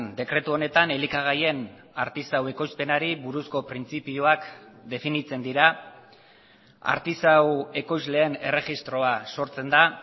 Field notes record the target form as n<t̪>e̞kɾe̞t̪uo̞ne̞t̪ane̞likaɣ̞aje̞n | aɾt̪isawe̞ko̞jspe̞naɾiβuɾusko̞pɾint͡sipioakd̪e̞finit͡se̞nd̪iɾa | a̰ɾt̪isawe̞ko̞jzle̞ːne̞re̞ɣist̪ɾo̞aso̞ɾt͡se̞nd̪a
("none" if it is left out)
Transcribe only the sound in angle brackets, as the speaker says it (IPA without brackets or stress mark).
d̪